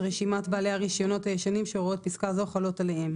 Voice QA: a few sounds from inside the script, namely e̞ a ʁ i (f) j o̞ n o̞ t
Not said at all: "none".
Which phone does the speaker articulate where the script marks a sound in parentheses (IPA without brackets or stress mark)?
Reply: ʃ